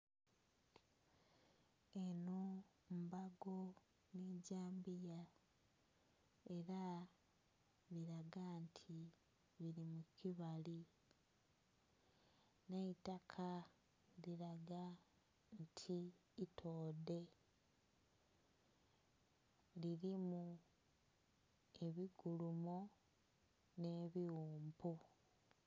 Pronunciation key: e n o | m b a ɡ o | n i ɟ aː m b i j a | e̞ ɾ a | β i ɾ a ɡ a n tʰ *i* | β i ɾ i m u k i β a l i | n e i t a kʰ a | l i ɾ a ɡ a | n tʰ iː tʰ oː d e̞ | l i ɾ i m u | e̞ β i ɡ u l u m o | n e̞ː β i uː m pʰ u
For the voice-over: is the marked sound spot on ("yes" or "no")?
yes